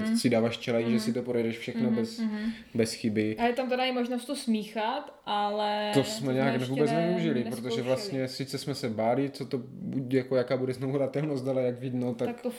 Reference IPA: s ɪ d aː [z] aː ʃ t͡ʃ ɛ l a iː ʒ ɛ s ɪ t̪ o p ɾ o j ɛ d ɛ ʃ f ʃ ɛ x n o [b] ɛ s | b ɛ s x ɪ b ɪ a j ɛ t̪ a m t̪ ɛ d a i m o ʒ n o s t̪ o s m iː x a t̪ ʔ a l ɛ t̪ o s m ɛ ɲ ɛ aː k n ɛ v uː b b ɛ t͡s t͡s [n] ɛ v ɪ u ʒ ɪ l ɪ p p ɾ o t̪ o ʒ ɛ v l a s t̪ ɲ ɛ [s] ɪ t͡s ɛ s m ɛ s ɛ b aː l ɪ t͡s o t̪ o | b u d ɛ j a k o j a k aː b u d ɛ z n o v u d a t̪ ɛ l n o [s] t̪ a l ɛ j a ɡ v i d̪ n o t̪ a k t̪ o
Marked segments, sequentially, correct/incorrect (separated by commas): incorrect, correct, correct, correct, correct